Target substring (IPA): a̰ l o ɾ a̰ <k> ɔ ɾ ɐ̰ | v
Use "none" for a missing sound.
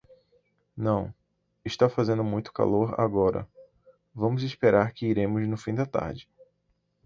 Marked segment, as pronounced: ɡ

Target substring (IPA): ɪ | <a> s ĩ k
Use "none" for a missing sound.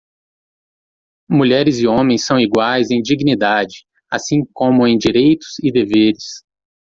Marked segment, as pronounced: a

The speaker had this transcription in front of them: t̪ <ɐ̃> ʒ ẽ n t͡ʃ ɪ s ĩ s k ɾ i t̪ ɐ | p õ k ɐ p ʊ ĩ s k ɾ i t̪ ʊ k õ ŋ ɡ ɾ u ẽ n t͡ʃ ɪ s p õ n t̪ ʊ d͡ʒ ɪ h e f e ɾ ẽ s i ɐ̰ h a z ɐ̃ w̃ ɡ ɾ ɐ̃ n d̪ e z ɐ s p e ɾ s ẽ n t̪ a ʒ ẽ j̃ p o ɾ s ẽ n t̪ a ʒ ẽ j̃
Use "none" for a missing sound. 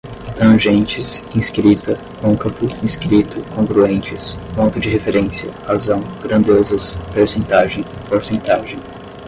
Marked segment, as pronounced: ɐ̃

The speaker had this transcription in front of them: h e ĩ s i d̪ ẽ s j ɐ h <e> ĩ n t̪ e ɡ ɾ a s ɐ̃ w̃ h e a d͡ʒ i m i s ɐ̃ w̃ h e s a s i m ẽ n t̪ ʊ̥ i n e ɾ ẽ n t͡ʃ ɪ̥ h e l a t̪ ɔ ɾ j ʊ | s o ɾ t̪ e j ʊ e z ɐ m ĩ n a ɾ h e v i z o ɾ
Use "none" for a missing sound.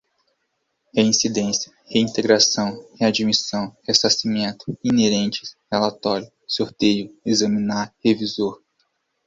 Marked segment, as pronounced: e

